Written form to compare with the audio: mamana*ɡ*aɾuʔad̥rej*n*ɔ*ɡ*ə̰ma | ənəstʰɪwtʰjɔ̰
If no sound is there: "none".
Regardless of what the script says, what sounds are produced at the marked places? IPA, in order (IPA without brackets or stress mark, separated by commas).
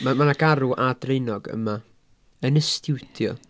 ɡ, n, ɡ